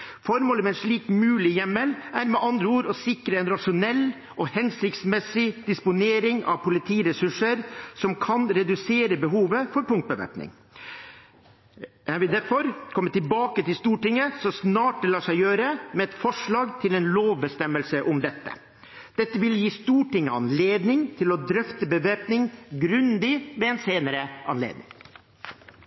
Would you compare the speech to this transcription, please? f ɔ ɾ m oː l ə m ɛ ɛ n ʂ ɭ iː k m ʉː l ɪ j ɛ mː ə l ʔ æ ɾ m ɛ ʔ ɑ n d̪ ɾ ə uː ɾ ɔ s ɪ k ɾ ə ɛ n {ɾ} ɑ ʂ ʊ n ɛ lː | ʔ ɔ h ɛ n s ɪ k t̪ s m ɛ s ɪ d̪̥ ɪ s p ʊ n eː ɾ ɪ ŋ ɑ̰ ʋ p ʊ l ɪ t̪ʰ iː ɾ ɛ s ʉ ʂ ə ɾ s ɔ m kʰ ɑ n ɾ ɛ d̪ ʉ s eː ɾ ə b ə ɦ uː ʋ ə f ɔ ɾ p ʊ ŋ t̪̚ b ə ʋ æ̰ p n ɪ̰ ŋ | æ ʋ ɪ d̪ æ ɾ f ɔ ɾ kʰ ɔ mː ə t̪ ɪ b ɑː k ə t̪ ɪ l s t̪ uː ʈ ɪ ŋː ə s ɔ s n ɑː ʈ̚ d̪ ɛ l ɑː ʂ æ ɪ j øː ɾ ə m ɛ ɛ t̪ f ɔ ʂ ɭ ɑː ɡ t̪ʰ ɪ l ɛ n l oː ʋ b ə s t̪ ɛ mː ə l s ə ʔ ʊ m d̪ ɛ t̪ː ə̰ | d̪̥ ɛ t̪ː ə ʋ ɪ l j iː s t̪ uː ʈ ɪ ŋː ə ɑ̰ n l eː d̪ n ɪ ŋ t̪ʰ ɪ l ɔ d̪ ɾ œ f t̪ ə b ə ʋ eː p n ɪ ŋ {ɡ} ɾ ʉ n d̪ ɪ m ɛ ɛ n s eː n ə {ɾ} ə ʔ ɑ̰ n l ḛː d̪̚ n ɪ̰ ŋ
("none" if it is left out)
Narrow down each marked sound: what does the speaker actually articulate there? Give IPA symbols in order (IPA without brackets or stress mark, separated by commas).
ɾ, ɡ, ɾ